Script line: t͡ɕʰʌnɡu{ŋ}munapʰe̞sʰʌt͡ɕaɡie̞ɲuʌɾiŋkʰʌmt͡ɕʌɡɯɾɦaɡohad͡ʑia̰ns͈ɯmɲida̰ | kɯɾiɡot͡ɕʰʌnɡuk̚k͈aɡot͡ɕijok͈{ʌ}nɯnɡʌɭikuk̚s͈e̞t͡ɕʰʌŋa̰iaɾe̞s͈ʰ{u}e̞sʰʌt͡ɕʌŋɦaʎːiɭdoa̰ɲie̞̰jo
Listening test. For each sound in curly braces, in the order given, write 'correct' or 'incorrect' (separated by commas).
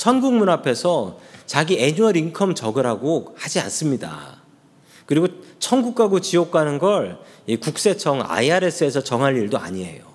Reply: correct, incorrect, incorrect